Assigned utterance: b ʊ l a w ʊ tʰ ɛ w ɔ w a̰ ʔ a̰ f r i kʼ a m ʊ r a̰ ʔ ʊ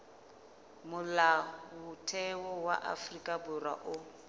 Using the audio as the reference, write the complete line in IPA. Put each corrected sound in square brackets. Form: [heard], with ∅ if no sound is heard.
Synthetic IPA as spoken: [m] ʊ l a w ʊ tʰ ɛ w ɔ w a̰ ʔ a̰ f r i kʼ a [b] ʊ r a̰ ʔ ʊ